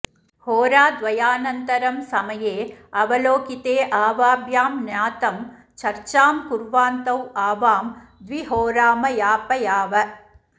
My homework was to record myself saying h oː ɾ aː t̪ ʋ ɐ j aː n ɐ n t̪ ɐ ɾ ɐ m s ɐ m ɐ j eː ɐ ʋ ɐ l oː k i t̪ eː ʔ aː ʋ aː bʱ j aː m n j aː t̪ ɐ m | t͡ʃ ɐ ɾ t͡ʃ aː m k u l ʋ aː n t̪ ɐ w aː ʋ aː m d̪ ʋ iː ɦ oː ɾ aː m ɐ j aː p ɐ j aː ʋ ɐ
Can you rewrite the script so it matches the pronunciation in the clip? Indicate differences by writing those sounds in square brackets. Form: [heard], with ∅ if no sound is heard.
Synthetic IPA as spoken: h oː ɾ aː [d̪] ʋ ɐ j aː n ɐ n t̪ ɐ ɾ ɐ m s ɐ m ɐ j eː ɐ ʋ ɐ l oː k i t̪ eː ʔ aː ʋ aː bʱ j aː m n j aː t̪ ɐ m | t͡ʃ ɐ ɾ t͡ʃ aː m k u [ɾ] ʋ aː n t̪ ɐ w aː ʋ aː m d̪ ʋ [i] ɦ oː ɾ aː m ɐ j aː p ɐ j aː ʋ ɐ